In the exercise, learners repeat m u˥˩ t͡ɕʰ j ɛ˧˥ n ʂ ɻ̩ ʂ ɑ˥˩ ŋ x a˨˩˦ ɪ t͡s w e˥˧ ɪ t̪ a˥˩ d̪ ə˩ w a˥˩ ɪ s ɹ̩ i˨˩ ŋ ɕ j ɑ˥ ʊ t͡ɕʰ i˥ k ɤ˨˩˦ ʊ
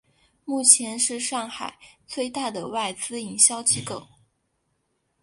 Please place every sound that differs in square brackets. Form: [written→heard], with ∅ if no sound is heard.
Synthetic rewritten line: m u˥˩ t͡ɕʰ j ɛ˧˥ n ʂ ɻ̩ ʂ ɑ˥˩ ŋ x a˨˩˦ ɪ t͡s w e˥˧ ɪ t̪ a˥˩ d̪ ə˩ w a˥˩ ɪ [s→t͡s] ɹ̩ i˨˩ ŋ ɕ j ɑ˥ ʊ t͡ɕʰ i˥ k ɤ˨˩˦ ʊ